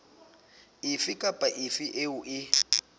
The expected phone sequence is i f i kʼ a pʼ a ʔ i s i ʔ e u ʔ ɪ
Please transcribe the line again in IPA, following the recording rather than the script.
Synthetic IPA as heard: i f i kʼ a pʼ a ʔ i f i ʔ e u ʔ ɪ